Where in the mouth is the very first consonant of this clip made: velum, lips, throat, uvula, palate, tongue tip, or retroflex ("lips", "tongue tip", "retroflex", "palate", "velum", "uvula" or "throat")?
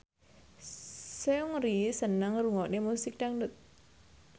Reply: tongue tip